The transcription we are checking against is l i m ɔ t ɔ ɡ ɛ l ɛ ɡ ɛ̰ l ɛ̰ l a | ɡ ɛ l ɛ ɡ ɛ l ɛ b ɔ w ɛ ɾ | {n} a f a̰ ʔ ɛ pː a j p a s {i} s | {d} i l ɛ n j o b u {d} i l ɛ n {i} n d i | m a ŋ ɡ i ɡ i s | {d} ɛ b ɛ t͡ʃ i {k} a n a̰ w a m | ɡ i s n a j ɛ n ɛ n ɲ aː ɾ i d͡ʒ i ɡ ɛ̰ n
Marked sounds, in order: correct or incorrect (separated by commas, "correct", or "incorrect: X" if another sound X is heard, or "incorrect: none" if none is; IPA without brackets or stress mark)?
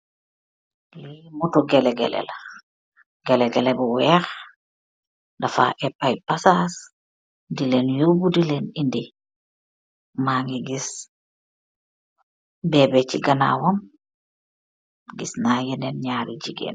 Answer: incorrect: d, incorrect: a, correct, correct, correct, incorrect: b, incorrect: ɡ